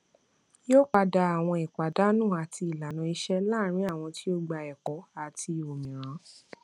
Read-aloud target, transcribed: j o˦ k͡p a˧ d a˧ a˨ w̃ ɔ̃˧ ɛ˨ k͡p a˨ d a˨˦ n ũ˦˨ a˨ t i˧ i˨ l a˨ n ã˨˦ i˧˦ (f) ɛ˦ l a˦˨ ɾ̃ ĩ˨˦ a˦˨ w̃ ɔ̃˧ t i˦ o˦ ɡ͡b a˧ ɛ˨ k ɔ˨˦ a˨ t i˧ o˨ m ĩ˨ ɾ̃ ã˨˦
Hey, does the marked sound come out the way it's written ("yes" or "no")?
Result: no